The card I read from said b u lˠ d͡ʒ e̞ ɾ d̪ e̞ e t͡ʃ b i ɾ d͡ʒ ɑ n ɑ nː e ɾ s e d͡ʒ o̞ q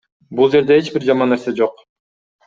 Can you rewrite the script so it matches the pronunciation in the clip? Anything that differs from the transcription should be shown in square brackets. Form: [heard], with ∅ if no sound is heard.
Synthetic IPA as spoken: b u lˠ d͡ʒ e̞ ɾ d̪ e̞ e t͡ʃ b i ɾ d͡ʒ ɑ [m] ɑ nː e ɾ s e d͡ʒ o̞ q